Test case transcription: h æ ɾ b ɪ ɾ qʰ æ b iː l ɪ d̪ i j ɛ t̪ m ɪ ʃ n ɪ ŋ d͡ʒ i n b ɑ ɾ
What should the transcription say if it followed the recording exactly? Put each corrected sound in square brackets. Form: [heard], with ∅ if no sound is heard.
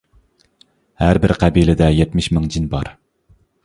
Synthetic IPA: h æ ɾ b ɪ ɾ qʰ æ b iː l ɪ d̪ [ɛ] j ɛ t̪ m ɪ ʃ [m] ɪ ŋ d͡ʒ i n b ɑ ɾ